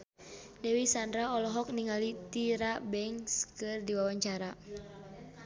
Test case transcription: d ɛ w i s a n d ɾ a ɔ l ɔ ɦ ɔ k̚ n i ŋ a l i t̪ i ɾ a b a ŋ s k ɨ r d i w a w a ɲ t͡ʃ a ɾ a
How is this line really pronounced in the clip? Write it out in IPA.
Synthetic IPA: d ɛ w i s a n d ɾ a ɔ l ɔ ɦ ɔ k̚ n i ŋ a l i t̪ i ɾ a b ɛ ŋ s k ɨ r d i w a w a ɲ t͡ʃ a ɾ a